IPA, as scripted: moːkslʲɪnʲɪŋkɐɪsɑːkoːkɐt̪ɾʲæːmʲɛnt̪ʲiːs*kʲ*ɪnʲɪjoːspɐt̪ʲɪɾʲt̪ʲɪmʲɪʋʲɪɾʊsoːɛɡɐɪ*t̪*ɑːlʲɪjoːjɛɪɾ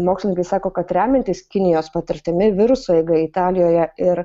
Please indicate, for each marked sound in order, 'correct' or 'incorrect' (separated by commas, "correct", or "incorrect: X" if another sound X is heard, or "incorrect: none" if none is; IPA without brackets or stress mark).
correct, correct